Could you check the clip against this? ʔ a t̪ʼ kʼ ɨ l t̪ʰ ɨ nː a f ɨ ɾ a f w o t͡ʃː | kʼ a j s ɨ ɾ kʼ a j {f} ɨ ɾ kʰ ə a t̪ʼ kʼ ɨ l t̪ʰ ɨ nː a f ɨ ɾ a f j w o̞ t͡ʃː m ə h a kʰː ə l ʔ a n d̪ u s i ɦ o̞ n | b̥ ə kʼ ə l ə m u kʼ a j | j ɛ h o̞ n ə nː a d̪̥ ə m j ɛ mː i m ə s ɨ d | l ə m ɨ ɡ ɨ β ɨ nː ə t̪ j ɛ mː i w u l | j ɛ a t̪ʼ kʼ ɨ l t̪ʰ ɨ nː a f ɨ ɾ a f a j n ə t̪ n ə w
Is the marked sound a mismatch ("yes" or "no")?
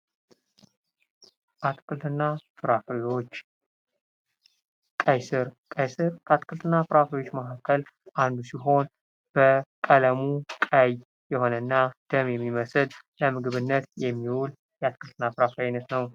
yes